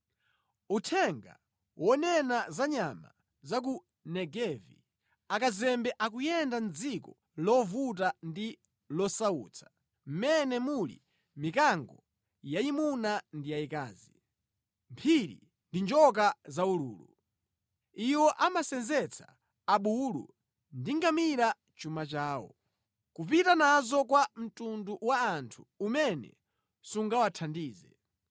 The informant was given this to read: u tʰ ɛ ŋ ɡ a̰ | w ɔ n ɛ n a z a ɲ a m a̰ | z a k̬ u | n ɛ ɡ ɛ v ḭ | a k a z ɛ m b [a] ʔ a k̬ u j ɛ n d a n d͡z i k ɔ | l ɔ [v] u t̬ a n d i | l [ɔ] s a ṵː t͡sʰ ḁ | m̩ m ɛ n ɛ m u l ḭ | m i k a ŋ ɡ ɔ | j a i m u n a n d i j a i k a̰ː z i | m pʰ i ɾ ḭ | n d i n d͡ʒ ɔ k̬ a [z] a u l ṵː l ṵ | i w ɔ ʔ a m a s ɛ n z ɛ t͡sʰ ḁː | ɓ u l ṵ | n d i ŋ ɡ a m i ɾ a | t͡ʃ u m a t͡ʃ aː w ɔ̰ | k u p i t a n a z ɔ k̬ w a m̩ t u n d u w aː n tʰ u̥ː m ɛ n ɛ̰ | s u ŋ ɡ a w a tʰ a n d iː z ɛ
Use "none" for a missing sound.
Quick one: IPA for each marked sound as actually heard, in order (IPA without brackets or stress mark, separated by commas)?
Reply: ɛ, v, ɔ, z